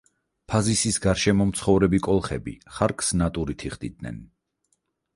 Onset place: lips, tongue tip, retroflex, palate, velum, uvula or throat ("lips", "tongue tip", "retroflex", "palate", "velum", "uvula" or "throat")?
lips